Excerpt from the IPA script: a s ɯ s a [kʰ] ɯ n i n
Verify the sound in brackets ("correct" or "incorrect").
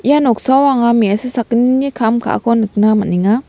incorrect